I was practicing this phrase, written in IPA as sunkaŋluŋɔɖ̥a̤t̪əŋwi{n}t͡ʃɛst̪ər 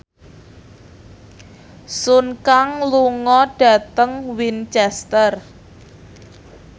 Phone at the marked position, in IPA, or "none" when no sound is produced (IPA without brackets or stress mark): n